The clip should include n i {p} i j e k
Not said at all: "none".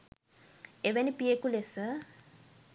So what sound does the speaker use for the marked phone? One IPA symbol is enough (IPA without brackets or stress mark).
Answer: p